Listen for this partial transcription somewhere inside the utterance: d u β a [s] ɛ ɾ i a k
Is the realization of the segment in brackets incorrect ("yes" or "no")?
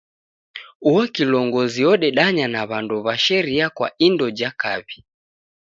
yes